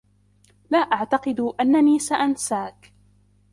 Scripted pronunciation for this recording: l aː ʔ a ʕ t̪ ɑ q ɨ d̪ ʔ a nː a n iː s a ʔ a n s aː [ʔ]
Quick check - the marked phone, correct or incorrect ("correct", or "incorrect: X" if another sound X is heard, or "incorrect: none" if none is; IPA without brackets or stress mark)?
incorrect: k